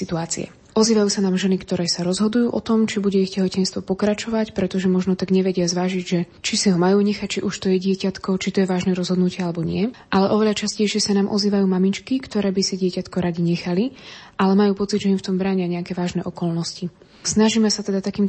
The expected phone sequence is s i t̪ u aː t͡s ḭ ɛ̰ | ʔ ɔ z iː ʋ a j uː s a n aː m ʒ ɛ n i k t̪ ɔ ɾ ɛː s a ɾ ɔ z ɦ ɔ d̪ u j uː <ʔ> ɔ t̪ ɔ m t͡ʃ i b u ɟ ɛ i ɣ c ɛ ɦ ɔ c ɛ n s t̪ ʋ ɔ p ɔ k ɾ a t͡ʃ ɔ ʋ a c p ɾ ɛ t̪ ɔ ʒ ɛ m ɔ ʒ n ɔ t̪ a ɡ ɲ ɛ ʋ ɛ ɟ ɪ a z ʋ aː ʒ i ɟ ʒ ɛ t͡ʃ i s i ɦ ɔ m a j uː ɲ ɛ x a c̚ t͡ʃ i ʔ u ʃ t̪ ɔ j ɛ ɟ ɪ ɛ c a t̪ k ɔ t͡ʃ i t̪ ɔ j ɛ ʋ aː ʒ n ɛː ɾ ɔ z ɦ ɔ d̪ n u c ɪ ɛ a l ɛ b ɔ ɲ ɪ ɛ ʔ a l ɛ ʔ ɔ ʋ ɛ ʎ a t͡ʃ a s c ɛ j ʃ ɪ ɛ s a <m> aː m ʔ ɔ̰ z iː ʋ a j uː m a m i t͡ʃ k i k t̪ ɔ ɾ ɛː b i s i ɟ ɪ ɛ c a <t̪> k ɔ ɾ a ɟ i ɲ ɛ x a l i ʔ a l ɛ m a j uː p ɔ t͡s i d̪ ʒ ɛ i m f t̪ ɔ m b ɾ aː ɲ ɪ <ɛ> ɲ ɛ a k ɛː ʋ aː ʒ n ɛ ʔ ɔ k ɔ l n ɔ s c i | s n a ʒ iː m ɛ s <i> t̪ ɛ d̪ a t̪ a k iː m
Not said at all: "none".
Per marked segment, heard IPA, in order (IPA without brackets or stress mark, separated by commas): ʔ, n, t̪, a, a